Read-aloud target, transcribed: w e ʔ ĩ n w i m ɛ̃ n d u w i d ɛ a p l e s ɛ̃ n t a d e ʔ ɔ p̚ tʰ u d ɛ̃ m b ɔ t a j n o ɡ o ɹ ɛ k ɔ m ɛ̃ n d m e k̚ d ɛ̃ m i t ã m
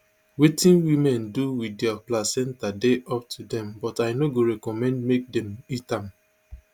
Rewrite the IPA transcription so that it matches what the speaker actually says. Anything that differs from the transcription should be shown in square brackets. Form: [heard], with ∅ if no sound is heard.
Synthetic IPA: w e [t] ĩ n w i m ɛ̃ n d u w i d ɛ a p l [a] s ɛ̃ n t a d e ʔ ɔ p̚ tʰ u d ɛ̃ m b ɔ t a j n o ɡ o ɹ ɛ k ɔ m ɛ̃ n d m e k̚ d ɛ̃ m i t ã m